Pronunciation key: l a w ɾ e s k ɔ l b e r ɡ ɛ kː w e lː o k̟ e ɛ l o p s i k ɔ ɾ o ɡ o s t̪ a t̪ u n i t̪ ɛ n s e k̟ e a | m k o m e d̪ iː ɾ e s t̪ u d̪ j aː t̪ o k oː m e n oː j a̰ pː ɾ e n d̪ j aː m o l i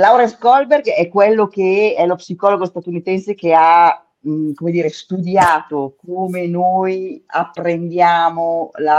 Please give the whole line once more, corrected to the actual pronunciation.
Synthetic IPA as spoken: l a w ɾ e s k ɔ l b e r ɡ ɛ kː w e lː o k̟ e ɛ l o p s i k ɔ l o ɡ o s t̪ a t̪ u n i t̪ ɛ n s e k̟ e a | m k o m e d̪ iː ɾ e s t̪ u d̪ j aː t̪ o k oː m e n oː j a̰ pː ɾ e n d̪ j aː m o l a